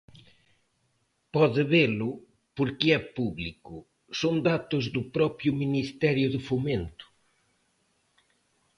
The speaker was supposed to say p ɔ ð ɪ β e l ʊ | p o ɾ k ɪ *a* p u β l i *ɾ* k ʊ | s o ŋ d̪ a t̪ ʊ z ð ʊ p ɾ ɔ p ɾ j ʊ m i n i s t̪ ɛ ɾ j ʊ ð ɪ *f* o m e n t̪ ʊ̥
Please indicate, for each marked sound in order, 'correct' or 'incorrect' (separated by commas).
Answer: incorrect, incorrect, correct